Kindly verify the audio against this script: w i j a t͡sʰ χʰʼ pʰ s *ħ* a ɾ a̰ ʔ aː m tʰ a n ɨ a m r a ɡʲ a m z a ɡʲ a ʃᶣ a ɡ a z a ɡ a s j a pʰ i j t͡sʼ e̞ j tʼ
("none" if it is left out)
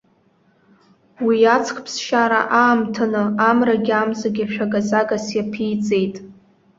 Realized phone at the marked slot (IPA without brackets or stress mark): ʃ